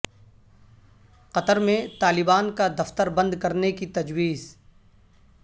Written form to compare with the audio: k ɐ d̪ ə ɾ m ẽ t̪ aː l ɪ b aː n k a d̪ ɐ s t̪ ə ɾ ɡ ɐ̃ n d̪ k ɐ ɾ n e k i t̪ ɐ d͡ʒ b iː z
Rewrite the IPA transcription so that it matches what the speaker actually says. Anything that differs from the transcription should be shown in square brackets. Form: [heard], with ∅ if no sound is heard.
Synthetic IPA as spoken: [q] ɐ [t̪] ə ɾ m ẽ t̪ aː l ɪ b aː n k a d̪ ɐ [f] t̪ ə ɾ [b] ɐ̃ n d̪ k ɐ ɾ n e k i t̪ ɐ d͡ʒ [w] iː z